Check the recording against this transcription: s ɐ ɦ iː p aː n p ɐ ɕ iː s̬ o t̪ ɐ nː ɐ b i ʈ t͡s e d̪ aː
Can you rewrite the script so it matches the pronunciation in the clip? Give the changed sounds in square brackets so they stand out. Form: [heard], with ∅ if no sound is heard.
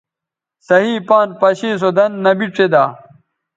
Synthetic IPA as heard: s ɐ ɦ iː p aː n p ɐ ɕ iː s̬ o [d̪] ɐ nː ɐ b i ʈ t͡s e d̪ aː

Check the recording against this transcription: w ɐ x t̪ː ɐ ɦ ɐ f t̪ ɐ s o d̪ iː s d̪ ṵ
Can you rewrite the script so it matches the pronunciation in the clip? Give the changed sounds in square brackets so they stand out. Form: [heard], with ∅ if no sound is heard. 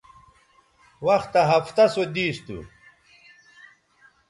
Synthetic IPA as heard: w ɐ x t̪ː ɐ ɦ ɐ f t̪ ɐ s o d̪ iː s [t̪] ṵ

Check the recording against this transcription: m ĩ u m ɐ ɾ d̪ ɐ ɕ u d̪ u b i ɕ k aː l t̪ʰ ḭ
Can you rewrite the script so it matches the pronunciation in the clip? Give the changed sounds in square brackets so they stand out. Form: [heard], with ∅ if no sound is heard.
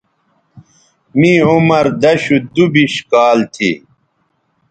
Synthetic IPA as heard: m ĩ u m ɐ ɾ d̪ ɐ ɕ u d̪ u b i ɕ k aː l t̪ʰ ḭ

